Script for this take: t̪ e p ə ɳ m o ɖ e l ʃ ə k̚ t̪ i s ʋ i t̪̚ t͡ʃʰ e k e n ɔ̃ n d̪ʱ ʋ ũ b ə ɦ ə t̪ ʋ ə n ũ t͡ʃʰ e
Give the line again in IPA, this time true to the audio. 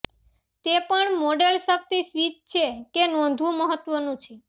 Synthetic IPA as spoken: t̪ e p ə ɳ m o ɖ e l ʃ ə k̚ t̪ i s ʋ i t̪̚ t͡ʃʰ e k e n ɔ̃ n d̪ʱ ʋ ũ m ə ɦ ə t̪ ʋ ə n ũ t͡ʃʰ e